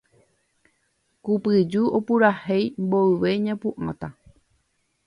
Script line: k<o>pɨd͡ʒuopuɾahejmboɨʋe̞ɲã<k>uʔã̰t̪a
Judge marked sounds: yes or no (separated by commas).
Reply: no, no